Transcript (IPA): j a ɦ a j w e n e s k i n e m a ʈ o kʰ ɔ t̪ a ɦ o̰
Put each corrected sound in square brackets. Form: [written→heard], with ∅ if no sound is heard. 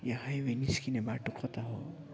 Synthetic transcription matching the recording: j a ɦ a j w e n [e→i] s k i n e [m→b] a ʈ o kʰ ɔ t̪ a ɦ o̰

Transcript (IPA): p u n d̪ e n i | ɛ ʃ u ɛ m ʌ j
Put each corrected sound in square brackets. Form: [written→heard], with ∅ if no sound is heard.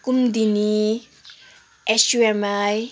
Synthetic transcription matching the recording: [p→k] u [n→m] d̪ [e→i] n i | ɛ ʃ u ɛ m [ʌ→a] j

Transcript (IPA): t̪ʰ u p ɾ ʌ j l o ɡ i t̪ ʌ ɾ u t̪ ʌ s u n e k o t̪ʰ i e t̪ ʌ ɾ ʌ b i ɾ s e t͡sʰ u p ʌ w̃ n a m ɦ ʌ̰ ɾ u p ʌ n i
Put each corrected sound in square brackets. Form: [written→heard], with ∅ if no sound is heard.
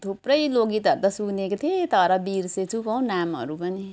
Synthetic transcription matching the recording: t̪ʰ u p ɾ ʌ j l o ɡ i t̪ ʌ ɾ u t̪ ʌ s u n e k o t̪ʰ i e t̪ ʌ ɾ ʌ b i ɾ s e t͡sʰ u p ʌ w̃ n a m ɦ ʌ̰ ɾ u p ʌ n i

